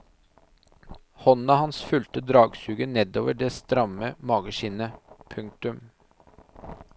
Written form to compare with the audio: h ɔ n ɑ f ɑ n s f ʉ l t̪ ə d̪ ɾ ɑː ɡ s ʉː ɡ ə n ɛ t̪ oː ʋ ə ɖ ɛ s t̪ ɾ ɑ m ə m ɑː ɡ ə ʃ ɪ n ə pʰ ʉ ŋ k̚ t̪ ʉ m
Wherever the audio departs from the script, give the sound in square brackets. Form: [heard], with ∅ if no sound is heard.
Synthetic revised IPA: h ɔ n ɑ [h] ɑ n s f ʉ l t̪ ə d̪ ɾ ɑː ɡ s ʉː ɡ ə n ɛ [d̪] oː ʋ ə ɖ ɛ s t̪ ɾ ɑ m ə m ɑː ɡ ə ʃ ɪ n ə pʰ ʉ ŋ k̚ t̪ ʉ m

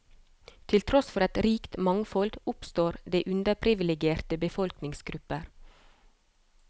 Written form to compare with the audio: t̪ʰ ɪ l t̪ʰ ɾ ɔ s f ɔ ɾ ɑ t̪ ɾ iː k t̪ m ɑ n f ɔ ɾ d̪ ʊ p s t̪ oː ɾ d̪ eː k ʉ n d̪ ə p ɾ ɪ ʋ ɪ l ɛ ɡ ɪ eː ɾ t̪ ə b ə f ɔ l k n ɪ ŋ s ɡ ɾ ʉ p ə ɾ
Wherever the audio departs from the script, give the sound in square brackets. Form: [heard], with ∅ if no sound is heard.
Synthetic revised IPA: t̪ʰ ɪ l t̪ʰ ɾ ɔ s f ɔ ɾ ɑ t̪ ɾ iː k t̪ m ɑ [ŋ] f ɔ [l] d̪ ʊ p s t̪ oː ɾ d̪ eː [ʔ] ʉ n d̪ ə [pʰ] ɾ ɪ ʋ ɪ l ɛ ɡ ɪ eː ɾ t̪ ə b ə f ɔ l k n ɪ ŋ s ɡ ɾ ʉ p ə ɾ

